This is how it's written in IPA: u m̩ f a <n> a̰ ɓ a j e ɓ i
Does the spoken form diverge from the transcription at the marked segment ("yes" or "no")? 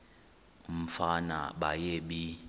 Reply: no